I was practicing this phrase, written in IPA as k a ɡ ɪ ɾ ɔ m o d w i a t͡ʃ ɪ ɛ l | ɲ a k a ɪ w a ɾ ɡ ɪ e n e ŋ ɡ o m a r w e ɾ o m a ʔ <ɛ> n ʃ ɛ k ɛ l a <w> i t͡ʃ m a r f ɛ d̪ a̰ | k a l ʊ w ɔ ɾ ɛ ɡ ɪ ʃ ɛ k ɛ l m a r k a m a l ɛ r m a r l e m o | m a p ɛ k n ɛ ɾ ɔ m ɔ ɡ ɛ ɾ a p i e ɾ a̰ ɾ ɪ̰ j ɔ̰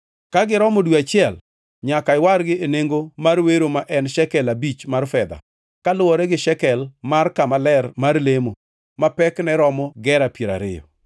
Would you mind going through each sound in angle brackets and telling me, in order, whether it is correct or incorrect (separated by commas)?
correct, incorrect